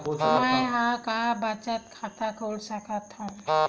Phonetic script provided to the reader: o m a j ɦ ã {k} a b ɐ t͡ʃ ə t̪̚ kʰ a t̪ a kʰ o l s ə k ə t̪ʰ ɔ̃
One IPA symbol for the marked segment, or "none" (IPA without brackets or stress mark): k